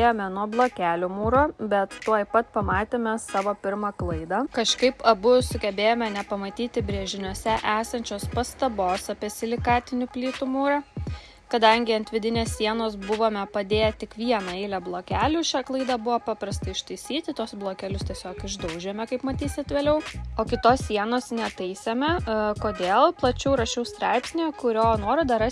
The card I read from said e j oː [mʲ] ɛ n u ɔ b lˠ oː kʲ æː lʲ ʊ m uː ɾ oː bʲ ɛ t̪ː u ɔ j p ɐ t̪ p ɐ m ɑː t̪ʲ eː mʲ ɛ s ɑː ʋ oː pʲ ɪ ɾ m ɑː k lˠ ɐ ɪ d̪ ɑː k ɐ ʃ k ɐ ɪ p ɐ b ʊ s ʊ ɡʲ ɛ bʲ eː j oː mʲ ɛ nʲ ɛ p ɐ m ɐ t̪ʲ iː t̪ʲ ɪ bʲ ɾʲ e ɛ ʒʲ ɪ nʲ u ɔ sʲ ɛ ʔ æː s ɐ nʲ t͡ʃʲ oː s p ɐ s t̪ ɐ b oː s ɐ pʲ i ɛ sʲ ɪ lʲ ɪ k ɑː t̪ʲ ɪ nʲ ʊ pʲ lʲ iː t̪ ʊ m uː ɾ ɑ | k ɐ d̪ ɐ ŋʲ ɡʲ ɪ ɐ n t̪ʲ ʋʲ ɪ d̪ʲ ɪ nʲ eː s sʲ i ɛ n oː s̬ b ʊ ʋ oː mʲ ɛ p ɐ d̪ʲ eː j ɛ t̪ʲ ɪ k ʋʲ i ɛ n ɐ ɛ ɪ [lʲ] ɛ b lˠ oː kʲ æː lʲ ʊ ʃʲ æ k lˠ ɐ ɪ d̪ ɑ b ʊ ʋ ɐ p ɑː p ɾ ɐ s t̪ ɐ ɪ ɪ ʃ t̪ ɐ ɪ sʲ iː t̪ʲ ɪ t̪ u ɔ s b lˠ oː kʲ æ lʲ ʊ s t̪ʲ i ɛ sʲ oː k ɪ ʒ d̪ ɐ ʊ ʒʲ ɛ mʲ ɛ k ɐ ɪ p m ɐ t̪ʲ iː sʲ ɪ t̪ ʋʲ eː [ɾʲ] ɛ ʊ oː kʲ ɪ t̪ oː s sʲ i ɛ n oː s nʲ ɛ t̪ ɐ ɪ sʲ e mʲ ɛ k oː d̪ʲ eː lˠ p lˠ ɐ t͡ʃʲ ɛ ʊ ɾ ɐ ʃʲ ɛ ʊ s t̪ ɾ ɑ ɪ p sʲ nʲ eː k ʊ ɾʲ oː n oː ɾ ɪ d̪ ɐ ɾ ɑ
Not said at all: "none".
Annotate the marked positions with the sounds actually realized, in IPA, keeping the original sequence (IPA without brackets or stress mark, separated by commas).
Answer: mʲ, lʲ, lʲ